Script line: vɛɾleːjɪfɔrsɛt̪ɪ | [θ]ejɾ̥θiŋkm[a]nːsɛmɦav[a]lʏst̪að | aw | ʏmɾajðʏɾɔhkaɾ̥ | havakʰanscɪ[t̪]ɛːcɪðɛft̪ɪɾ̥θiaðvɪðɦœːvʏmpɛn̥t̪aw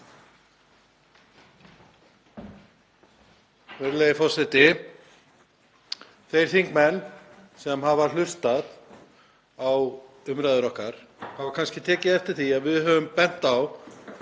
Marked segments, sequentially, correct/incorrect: correct, incorrect, correct, incorrect

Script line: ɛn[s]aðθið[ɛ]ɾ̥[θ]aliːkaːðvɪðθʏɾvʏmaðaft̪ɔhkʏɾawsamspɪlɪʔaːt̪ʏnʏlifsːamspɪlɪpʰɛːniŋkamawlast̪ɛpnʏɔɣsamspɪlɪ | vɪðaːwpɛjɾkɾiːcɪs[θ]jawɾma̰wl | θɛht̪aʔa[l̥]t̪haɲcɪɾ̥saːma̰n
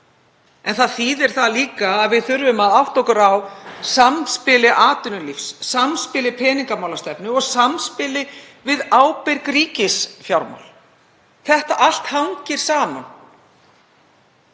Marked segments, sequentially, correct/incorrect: incorrect, correct, correct, incorrect, correct

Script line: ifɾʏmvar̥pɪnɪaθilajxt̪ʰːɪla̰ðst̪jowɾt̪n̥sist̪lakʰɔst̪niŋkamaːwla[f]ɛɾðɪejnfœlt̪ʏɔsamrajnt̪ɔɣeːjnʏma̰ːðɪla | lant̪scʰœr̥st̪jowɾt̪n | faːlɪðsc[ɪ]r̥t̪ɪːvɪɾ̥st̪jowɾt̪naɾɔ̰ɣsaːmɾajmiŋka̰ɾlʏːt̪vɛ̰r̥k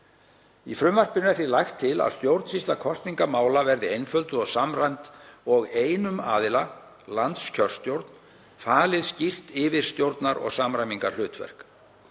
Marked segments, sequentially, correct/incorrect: incorrect, incorrect

